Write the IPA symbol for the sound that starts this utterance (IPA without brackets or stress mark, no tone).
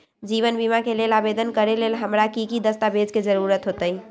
d͡ʒ